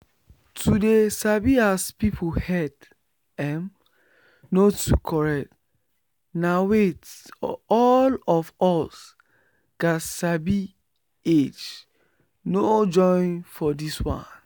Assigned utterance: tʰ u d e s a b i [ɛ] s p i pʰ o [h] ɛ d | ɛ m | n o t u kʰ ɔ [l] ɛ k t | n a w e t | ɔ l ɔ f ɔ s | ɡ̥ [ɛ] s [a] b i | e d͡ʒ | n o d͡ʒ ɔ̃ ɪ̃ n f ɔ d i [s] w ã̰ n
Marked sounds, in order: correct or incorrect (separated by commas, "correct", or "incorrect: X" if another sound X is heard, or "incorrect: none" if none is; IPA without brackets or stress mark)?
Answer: incorrect: a, correct, incorrect: ɹ, incorrect: a, correct, correct